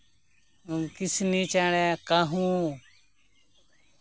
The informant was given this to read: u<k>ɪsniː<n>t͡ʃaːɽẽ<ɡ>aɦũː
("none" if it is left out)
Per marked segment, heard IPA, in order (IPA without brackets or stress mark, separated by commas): k, none, k